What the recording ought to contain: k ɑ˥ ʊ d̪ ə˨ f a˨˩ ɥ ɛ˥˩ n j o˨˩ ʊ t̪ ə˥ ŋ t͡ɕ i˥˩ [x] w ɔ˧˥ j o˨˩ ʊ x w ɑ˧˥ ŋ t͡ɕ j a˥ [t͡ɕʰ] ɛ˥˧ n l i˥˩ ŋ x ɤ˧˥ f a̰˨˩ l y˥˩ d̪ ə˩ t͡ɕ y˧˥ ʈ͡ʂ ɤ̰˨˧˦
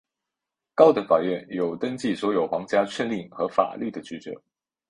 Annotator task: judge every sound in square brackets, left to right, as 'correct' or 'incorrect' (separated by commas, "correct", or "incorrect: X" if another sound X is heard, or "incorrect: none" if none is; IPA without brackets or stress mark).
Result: incorrect: s, correct